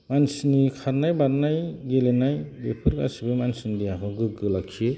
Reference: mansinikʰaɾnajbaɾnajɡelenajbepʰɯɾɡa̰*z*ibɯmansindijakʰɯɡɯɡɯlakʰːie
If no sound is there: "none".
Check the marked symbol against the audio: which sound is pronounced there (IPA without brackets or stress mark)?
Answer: s